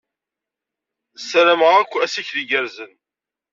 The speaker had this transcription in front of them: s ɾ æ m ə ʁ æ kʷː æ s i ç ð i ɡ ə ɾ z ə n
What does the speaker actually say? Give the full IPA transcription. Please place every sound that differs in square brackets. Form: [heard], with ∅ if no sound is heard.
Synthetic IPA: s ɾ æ m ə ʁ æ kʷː æ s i ç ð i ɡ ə ɾ z ə n